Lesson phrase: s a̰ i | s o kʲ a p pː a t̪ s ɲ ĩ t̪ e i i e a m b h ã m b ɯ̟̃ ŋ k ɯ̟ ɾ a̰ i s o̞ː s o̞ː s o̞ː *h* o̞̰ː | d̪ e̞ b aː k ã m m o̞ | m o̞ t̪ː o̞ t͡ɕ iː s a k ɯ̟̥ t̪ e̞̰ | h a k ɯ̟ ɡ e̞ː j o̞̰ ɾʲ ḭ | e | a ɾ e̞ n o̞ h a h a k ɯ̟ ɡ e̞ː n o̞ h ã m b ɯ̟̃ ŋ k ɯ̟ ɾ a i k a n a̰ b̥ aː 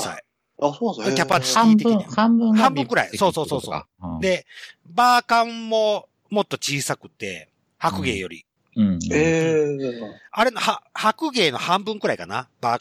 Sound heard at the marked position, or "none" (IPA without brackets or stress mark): s